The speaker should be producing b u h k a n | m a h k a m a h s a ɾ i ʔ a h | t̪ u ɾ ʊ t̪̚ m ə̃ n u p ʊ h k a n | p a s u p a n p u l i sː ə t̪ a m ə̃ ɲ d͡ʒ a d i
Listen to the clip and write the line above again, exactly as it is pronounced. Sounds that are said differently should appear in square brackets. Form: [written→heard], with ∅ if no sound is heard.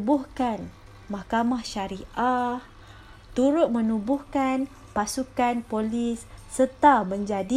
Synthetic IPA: b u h k a n | m a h k a m a h [s→ʃ] a ɾ i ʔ a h | t̪ u ɾ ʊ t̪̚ m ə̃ n u [p→b] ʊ h k a n | p a s u [p→k] a n p [u→o] l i sː ə t̪ a m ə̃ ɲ d͡ʒ a d i